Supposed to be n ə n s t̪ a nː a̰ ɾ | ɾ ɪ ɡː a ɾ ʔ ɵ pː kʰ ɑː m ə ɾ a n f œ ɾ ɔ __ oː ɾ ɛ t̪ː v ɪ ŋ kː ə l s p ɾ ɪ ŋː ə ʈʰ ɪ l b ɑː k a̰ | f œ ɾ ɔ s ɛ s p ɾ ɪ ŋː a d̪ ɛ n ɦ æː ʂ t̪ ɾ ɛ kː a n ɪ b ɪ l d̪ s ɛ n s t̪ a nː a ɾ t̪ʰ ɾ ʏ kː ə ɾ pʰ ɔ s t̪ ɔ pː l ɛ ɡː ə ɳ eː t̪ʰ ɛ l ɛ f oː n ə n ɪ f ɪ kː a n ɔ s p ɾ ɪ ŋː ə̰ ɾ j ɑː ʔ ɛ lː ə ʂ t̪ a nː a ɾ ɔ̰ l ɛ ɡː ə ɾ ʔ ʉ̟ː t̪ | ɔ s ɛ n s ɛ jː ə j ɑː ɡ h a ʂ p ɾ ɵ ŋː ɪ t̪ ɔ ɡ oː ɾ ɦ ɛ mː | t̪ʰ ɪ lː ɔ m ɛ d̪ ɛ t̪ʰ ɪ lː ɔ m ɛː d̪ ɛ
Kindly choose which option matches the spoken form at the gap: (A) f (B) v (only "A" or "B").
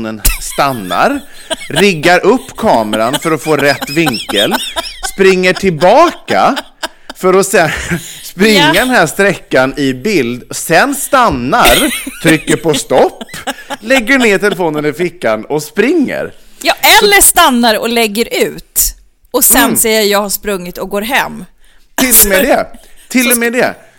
A